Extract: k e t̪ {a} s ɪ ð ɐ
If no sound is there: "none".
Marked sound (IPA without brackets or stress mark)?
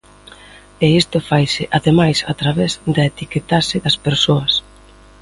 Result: a